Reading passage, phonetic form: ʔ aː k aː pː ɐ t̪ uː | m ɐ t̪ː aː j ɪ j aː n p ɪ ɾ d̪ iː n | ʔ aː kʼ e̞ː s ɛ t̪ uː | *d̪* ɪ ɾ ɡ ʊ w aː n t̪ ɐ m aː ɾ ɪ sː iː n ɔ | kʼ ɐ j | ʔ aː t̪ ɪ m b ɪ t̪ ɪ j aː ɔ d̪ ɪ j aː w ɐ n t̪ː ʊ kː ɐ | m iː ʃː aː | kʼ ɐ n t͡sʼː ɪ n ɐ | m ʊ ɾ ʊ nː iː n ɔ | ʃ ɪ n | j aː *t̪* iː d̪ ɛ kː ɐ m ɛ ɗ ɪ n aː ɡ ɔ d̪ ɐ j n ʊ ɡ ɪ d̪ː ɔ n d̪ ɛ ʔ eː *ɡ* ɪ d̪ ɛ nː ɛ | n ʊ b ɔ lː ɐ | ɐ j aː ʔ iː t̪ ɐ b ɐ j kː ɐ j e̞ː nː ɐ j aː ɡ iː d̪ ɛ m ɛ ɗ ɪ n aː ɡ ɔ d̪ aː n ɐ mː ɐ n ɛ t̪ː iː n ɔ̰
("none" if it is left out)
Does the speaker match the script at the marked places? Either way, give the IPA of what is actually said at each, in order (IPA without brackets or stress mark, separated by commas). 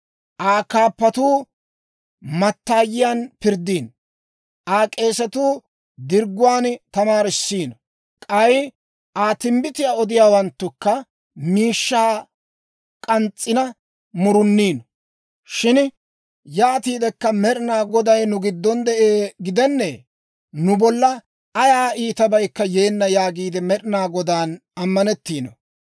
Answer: d̪, t̪, ɡ